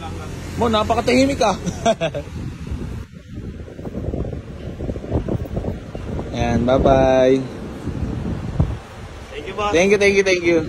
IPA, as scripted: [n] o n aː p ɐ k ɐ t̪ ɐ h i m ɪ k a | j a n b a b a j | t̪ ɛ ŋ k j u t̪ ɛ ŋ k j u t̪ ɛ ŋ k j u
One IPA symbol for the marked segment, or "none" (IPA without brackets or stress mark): m